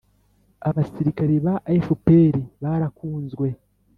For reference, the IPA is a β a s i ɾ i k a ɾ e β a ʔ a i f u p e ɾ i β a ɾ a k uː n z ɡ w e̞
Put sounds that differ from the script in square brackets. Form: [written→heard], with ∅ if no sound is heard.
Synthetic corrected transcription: a β a s i ɾ i k a ɾ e β a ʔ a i f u p e ɾ i β a ɾ a k uː n z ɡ w e̞